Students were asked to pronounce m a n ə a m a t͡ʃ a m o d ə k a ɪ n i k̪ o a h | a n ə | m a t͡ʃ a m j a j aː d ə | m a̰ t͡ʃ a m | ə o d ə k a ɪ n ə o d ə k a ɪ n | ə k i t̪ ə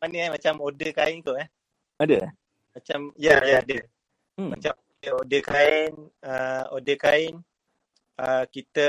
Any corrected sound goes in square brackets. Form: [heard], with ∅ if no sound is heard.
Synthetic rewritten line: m a n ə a m a t͡ʃ a m o d ə k a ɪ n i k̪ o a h | a [d] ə | m a t͡ʃ a m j a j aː d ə | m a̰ t͡ʃ a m | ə o d ə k a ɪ n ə o d ə k a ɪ n | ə k i t̪ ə